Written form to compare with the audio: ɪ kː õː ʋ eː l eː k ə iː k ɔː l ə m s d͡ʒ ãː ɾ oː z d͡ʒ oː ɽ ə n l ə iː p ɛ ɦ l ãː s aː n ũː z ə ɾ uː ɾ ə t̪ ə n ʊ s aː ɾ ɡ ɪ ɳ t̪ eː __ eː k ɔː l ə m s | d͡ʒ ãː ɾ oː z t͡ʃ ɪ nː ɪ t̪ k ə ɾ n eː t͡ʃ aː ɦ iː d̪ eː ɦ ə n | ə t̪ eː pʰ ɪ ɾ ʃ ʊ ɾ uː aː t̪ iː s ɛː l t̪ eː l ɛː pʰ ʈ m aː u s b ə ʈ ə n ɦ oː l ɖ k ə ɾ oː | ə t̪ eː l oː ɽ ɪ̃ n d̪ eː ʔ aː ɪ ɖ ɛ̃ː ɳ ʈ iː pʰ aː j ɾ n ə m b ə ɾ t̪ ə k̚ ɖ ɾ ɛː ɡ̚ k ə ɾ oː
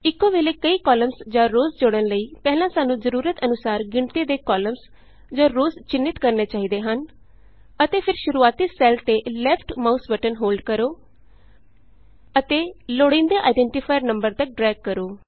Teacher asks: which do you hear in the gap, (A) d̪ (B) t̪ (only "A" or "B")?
A